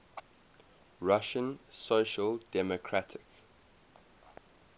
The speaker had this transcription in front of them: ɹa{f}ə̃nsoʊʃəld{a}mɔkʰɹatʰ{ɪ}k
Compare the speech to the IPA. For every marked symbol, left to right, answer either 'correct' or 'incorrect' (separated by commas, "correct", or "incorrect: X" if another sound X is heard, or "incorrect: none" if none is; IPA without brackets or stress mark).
incorrect: ʃ, incorrect: ɛ, correct